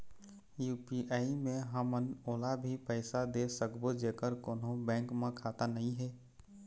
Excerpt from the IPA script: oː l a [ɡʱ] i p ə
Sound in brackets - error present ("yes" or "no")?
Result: yes